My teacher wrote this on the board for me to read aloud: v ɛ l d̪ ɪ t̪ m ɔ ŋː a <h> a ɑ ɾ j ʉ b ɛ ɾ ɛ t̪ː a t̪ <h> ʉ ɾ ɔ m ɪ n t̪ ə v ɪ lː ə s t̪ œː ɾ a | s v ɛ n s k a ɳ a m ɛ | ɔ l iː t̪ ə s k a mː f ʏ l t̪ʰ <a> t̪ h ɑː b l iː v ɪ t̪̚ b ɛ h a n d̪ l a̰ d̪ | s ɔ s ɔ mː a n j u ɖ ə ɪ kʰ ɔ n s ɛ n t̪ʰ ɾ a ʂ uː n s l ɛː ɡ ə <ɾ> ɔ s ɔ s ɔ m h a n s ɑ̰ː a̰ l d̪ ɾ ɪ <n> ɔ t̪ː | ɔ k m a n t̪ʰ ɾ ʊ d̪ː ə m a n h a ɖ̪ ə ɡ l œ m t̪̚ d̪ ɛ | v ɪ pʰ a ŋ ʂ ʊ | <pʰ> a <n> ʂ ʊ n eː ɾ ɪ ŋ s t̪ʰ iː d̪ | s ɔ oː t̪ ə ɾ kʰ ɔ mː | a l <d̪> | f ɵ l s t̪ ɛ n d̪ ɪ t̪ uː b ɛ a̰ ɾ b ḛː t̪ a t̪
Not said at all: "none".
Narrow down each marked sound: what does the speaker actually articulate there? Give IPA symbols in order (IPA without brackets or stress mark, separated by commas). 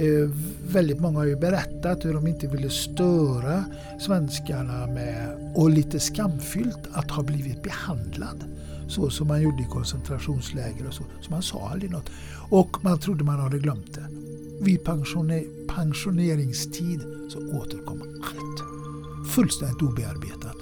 h, h, a, ɾ, n, pʰ, ŋ, t̪